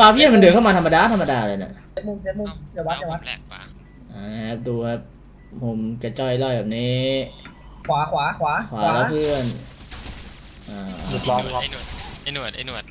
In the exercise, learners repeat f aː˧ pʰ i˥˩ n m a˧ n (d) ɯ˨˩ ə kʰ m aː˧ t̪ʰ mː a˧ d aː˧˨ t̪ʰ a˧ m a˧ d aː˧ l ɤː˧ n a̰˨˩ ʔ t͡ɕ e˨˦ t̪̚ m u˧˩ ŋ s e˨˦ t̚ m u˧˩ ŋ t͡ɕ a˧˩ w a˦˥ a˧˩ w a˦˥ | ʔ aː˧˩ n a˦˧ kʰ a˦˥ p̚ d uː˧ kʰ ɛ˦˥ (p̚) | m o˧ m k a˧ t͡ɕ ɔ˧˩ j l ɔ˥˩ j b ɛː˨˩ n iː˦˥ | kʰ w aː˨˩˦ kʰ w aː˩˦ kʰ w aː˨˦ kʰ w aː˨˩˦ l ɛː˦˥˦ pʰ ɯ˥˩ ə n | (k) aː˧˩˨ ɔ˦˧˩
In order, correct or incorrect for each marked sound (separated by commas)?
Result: correct, correct, incorrect